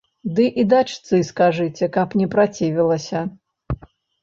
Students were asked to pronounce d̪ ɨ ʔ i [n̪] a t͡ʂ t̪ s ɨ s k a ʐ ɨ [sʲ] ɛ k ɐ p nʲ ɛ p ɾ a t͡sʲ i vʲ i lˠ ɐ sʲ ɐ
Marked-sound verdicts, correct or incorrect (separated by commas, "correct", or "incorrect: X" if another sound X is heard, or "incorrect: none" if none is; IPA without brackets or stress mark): incorrect: d̪, incorrect: t͡sʲ